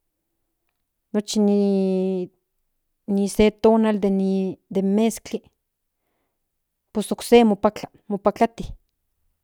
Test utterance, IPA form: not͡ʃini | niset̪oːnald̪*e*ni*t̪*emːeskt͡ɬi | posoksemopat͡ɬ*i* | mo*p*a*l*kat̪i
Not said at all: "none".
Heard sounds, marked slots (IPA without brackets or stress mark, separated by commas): e, d̪, a, p, none